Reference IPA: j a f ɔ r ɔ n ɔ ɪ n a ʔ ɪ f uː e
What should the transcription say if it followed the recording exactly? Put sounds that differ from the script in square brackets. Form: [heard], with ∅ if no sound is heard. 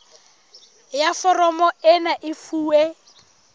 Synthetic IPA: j a f ɔ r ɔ [m] ɔ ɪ n a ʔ ɪ f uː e